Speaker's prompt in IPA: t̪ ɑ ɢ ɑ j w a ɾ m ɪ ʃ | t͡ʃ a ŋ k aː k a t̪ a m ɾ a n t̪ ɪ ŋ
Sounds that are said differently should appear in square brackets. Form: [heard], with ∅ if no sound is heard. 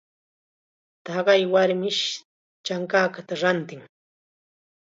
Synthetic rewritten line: t̪ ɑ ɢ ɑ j w a ɾ m ɪ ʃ | t͡ʃ a ŋ k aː k a t̪ a [∅] ɾ a n t̪ ɪ ŋ